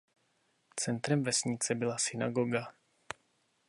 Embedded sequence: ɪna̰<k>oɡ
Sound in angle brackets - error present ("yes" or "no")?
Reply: yes